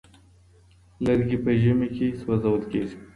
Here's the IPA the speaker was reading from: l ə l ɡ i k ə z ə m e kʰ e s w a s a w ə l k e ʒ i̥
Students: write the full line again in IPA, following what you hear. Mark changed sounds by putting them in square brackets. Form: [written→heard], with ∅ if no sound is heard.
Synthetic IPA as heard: l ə [l→ɾ] ɡ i [k→p] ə [z→ʒ] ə m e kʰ e s w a [s→z] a w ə l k e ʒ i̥